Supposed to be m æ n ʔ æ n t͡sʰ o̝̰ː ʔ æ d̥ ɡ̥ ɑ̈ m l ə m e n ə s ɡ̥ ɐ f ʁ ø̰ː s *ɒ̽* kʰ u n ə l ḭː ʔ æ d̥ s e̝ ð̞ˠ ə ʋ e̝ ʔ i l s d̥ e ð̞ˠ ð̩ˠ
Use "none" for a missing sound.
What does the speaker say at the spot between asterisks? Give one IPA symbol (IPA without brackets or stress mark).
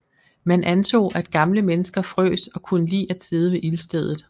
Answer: ɒ̽